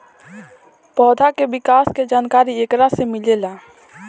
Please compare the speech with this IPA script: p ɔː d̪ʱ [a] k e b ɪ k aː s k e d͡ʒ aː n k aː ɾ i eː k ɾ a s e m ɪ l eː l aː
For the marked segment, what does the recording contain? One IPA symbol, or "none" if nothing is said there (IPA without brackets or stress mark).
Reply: a